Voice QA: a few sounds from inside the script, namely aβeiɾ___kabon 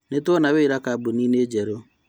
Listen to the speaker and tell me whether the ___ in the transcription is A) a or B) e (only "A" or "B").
A